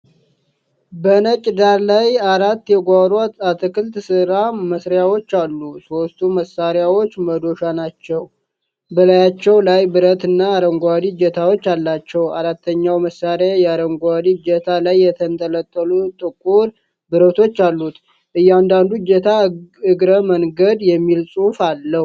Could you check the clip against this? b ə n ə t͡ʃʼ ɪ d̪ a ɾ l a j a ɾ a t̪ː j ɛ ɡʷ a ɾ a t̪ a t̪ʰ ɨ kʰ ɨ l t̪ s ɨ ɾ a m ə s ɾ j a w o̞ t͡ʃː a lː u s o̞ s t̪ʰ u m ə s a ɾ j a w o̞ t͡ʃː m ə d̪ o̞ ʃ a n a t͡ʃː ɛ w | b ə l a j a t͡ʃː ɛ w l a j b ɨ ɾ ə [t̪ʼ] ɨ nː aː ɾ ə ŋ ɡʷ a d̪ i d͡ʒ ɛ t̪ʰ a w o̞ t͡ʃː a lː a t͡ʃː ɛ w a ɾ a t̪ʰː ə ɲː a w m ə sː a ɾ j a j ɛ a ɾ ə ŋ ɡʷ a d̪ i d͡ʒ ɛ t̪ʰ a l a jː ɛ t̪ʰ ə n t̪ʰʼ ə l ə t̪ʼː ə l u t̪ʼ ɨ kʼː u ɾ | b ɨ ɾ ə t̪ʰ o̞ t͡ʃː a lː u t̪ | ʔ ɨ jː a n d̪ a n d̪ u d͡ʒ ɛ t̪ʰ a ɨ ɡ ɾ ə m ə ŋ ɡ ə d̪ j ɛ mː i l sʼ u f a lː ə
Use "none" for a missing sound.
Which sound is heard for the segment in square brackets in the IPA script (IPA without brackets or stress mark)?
t̪